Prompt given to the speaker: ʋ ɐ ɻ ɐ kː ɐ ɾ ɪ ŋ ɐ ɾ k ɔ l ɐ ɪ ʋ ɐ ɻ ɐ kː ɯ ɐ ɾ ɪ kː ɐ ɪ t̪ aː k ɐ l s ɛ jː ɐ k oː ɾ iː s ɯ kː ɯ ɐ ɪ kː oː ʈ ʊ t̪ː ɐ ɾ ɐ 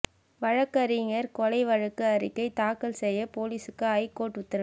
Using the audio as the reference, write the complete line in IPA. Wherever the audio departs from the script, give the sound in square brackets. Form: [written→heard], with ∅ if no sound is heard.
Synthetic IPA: ʋ ɐ ɻ ɐ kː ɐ ɾ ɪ ŋ ɐ ɾ k ɔ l ɐ ɪ ʋ ɐ ɻ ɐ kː ɯ ɐ ɾ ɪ kː ɐ ɪ t̪ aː k ɐ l s ɛ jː ɐ [k→p] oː [ɾ→l] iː s ɯ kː ɯ ɐ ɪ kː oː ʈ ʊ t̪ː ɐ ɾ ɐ